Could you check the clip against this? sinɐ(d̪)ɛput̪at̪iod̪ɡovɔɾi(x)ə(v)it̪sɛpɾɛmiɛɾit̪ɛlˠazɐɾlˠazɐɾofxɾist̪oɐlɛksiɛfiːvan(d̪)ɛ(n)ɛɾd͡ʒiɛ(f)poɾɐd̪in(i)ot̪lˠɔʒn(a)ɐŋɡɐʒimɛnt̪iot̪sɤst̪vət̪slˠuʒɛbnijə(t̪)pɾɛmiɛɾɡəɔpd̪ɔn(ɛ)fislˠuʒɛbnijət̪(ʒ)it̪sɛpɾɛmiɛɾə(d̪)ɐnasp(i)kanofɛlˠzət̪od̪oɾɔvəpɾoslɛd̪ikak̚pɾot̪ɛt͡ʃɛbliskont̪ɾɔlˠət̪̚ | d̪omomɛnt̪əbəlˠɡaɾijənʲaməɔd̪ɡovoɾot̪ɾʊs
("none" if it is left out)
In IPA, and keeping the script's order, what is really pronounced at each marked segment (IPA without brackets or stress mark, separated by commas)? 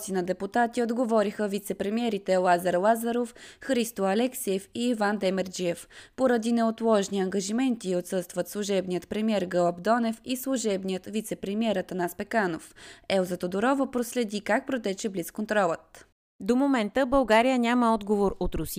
d̪, x, v, d̪, m, f, ɛ, i, t̪, ɛ, v, t̪, ɛ